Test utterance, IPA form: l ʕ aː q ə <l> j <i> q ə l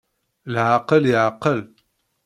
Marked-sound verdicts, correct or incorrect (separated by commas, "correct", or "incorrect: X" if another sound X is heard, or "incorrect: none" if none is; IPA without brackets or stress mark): correct, incorrect: a